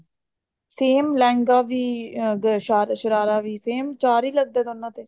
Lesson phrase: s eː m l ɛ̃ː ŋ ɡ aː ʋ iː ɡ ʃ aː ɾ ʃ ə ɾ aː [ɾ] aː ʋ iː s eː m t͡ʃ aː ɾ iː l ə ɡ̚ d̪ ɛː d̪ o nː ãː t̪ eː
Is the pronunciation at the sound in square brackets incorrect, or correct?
correct